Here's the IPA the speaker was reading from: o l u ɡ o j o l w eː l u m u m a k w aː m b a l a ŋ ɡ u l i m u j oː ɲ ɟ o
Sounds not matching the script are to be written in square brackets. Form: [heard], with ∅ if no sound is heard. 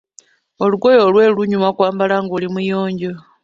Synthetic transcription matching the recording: o l u ɡ o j o l w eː l u [ɲ] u m a k w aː m b a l a ŋ ɡ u l i m u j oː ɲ ɟ o